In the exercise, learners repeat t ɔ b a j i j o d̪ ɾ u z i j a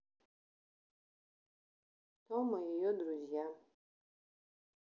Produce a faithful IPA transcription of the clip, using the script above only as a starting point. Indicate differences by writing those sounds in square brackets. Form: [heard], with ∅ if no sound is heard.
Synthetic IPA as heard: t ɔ [m] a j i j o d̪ ɾ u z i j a